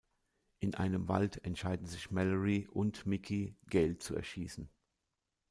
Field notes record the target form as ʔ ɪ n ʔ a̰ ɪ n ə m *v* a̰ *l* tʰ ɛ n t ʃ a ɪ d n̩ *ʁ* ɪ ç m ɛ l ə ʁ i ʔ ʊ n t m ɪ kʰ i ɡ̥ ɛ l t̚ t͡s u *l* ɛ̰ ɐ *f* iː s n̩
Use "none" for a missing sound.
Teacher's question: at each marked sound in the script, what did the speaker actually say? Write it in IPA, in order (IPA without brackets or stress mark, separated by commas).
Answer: v, l, z, none, ʃ